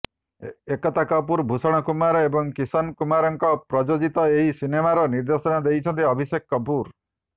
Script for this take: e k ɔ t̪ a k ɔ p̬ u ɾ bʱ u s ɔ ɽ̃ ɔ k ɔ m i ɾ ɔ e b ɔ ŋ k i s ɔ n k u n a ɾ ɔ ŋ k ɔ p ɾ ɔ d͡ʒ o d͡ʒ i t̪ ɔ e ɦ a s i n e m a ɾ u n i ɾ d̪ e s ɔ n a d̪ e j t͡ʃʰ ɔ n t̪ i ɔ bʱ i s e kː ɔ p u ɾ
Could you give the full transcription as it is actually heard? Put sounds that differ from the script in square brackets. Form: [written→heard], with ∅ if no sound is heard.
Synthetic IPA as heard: e k ɔ t̪ a k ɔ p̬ u ɾ bʱ u s ɔ ɽ̃ ɔ k [ɔ→u] m [i→a] ɾ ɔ e b ɔ ŋ k i s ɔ n k u [n→m] a ɾ ɔ ŋ k ɔ p ɾ ɔ d͡ʒ o d͡ʒ i t̪ ɔ e ɦ [a→i] s i n e m a ɾ [u→ɔ] n i ɾ d̪ e s ɔ n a d̪ e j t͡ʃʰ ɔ n t̪ i ɔ bʱ i s e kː ɔ p u ɾ